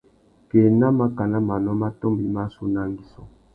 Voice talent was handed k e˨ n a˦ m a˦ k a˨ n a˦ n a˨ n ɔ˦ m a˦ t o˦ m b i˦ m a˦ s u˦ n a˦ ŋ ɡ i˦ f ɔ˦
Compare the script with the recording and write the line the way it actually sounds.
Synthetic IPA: k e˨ n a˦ m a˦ k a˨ n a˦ m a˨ n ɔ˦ m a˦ t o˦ m b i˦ m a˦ s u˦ n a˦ ŋ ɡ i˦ s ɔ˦